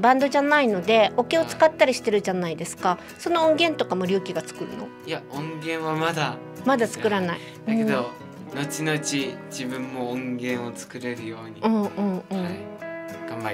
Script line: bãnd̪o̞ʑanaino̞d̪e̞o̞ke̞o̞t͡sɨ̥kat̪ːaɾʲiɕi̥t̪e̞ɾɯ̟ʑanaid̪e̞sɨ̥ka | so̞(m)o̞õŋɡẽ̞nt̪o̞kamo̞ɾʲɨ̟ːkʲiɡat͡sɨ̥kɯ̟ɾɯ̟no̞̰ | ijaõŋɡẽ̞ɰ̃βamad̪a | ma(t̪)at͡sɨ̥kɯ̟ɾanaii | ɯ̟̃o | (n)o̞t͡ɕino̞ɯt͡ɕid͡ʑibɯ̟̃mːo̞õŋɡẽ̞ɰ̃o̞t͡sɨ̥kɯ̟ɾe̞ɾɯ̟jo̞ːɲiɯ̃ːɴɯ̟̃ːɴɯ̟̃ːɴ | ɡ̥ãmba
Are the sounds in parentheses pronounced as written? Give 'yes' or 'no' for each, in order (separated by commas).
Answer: no, no, yes